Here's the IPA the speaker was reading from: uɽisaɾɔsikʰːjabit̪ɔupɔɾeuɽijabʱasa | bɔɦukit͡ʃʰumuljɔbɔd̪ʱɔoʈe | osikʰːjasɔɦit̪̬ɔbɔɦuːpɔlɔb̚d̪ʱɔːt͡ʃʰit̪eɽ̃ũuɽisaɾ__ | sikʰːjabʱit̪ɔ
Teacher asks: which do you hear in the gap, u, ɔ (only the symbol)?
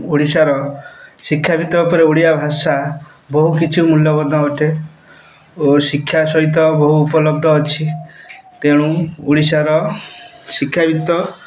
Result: ɔ